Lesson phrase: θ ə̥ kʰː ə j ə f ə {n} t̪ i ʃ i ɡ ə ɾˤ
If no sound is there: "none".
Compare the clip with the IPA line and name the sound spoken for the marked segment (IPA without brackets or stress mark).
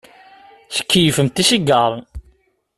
m